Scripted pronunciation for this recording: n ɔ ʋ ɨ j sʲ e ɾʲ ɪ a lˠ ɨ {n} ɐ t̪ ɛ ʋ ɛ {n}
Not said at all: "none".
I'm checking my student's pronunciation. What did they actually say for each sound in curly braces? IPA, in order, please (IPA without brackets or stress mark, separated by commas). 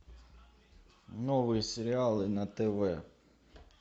n, none